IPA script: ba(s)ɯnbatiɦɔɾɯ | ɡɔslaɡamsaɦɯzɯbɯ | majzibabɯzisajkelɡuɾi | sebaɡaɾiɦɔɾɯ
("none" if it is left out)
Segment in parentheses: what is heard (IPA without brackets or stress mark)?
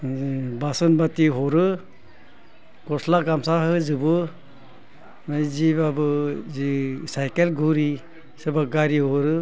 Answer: s